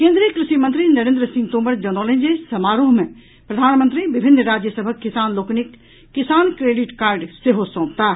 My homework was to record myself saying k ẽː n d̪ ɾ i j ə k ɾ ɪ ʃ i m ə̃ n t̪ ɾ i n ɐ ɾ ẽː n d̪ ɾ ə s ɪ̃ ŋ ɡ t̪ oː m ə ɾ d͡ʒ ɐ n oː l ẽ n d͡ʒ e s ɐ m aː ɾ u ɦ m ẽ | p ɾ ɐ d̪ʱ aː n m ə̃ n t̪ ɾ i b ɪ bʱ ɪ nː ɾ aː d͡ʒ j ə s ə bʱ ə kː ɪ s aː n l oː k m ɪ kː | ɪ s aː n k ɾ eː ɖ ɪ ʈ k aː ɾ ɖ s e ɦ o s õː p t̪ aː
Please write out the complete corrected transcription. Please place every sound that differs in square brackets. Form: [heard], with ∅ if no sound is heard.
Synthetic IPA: k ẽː n d̪ ɾ i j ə k ɾ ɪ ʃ i m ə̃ n t̪ ɾ i n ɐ ɾ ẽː n d̪ ɾ ə s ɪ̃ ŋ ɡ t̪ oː m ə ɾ d͡ʒ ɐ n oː l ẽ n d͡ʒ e s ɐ m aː ɾ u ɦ m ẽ | p ɾ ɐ d̪ʱ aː n m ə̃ n t̪ ɾ i b ɪ bʱ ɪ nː ɾ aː d͡ʒ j ə s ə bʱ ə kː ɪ s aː n l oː k [n] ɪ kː | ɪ s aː n k ɾ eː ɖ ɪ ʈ k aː ɾ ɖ s e ɦ o s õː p t̪ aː